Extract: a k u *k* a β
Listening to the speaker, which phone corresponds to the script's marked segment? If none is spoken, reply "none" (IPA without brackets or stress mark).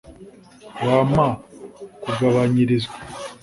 ɡ